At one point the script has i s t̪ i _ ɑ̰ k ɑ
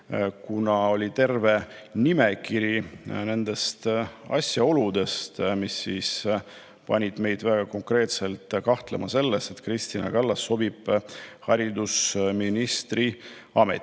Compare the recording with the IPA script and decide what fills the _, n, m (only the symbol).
n